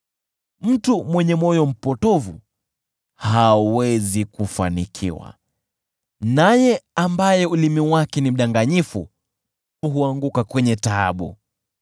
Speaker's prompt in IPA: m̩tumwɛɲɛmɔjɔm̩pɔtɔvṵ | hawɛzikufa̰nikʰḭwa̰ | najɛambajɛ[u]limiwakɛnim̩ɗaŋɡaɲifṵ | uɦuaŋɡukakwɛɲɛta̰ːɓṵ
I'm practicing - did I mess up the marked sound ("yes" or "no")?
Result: no